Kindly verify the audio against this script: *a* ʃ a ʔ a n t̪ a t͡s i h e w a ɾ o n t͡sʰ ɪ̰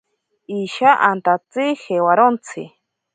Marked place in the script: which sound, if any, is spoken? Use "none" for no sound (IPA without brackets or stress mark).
i